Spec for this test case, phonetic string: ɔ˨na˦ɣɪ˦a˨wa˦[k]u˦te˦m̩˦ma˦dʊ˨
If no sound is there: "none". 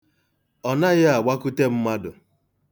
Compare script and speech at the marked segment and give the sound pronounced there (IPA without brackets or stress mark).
k